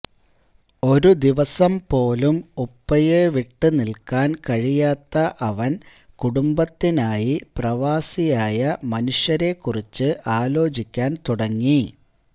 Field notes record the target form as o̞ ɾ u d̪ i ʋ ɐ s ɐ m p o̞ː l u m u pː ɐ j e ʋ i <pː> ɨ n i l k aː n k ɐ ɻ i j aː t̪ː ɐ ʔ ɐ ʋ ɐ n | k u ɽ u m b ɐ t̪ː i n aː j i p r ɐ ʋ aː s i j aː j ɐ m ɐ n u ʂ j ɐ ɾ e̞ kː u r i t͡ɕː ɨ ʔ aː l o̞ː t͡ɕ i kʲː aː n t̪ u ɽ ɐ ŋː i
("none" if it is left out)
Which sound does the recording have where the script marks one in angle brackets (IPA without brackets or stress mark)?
ʈː